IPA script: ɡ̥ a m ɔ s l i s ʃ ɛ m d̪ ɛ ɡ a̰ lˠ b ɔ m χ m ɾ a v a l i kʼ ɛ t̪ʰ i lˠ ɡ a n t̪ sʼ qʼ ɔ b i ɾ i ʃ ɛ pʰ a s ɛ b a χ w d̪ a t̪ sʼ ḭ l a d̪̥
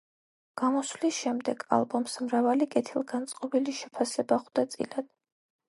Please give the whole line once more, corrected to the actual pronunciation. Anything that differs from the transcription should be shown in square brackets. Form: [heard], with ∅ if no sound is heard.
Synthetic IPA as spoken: ɡ̥ a m ɔ s l i s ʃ ɛ m d̪ ɛ ɡ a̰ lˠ b ɔ m [s] m ɾ a v a l i kʼ ɛ t̪ʰ i lˠ ɡ a n t̪ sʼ qʼ ɔ b i [l] i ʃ ɛ pʰ a s ɛ b a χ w d̪ a t̪ sʼ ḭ l a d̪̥